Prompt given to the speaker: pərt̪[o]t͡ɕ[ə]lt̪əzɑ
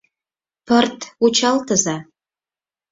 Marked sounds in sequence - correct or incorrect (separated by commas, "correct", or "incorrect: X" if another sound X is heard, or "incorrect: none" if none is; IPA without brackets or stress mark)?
incorrect: u, incorrect: ɑ